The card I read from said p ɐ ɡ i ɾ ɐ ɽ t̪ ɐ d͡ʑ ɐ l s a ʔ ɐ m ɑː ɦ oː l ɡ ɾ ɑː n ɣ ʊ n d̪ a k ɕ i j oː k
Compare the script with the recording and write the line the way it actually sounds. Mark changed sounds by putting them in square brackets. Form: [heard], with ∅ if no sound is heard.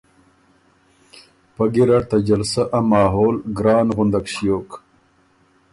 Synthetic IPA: p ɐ ɡ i ɾ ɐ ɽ t̪ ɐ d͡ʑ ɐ l s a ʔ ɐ m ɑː ɦ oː l ɡ ɾ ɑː n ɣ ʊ n d̪ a k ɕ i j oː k